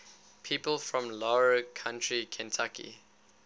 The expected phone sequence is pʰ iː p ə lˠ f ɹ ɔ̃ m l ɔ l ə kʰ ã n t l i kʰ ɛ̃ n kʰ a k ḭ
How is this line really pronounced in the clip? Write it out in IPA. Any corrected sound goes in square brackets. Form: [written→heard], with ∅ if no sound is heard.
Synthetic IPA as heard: pʰ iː p ə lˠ f ɹ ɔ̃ m l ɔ [l→ɹ] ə kʰ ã n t [l→ɹ] i kʰ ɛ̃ n [kʰ→tʰ] a k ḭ